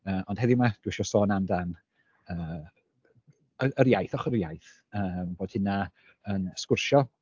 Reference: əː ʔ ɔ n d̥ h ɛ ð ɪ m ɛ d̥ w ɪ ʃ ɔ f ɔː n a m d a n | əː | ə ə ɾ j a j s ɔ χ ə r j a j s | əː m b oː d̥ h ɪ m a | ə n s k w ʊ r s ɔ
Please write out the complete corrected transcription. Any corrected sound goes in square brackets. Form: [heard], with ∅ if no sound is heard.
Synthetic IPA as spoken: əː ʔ ɔ n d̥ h ɛ ð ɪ m [a] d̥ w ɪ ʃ ɔ [s] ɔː n a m d a n | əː | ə ə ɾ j a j [θ] ɔ χ ə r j a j [θ] | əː m b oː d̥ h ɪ [n] a | ə n s k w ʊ r [ʃ] ɔ